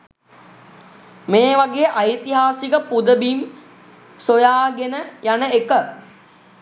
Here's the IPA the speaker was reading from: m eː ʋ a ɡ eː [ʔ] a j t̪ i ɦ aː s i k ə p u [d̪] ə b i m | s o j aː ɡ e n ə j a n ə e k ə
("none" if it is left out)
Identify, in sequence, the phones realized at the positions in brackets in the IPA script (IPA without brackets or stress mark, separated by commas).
ʔ, d̪